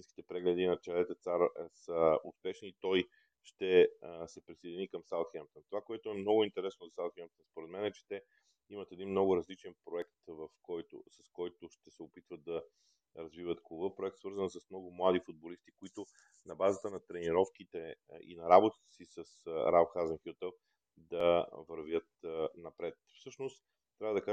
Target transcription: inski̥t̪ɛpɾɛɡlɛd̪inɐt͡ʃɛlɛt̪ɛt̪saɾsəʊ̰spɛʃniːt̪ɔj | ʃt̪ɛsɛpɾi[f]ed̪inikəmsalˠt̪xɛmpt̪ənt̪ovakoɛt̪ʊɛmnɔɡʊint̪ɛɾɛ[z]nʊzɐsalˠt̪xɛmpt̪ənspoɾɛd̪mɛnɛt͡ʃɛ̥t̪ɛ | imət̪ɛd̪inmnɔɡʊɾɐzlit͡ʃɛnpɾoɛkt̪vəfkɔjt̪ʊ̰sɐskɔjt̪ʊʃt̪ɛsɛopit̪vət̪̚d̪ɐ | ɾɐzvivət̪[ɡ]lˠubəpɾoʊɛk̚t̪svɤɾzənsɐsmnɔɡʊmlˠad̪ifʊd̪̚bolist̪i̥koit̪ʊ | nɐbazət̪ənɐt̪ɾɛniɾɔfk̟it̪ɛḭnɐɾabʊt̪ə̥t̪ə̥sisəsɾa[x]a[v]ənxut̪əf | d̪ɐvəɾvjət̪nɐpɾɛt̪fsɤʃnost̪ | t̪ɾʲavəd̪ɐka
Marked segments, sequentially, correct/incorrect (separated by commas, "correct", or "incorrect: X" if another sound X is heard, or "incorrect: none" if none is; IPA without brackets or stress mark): incorrect: s, incorrect: s, incorrect: k, correct, incorrect: z